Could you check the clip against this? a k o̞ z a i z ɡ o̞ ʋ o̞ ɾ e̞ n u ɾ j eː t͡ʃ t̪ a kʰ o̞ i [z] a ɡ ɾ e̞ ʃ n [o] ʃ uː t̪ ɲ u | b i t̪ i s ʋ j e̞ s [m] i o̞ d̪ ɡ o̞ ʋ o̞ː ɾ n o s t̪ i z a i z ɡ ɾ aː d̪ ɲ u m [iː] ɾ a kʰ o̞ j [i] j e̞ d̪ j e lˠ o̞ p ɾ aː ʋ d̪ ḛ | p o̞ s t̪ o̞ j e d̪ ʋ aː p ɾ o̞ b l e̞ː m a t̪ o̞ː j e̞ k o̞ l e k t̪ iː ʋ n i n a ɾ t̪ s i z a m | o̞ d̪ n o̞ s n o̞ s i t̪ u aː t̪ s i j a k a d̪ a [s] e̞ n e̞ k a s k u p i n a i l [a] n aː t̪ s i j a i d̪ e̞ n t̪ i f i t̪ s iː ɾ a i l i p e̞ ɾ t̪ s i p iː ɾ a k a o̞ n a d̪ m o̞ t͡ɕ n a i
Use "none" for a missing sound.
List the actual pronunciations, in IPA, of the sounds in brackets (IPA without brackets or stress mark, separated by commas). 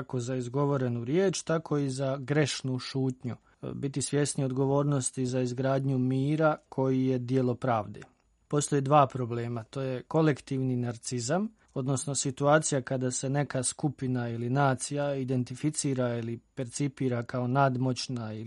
z, u, n, iː, i, s, i